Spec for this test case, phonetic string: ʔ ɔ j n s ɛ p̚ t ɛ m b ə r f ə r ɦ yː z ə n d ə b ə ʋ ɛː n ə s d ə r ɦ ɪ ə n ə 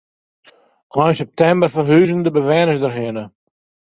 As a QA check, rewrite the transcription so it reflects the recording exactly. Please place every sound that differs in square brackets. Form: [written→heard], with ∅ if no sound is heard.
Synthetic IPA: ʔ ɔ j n s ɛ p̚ t ɛ m b ə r f ə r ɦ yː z ə n d ə b ə ʋ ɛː n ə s d ə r ɦ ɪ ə n ə